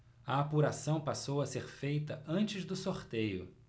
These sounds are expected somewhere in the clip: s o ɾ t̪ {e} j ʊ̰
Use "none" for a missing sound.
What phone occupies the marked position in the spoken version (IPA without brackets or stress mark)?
e